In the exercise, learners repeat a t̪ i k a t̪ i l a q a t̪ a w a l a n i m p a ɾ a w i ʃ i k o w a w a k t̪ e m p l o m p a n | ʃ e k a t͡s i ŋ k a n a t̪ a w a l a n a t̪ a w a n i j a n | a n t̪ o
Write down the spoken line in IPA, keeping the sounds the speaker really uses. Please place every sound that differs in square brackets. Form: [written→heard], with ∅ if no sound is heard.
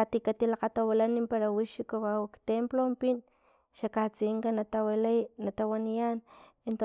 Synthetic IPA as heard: a t̪ i k a t̪ i l a q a t̪ a w a l a n i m p a ɾ a w i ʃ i k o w a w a k t̪ e m p l o m p [a→i] n | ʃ [e→a] k a t͡s i ŋ k a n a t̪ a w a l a n a t̪ a w a n i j a n | [a→e] n t̪ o